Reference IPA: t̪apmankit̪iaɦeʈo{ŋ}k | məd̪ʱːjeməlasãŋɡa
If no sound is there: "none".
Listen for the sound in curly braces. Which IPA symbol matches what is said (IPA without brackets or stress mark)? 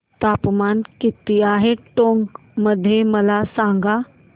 ŋ